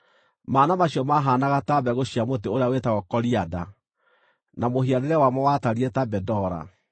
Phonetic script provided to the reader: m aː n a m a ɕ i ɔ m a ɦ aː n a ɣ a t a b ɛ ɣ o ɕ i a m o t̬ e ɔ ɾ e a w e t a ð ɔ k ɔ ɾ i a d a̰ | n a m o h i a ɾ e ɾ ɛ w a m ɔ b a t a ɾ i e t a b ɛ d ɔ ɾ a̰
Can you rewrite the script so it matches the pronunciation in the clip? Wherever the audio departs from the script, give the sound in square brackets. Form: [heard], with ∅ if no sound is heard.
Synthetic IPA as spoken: m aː n a m a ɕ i ɔ m a ɦ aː n a ɣ a t a b ɛ ɣ o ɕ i a m o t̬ e [o] ɾ e a w e t a [ɣ] ɔ k ɔ ɾ i a d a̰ | n a m o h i a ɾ e ɾ ɛ w a m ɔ [w] a t a ɾ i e t a b ɛ d ɔ ɾ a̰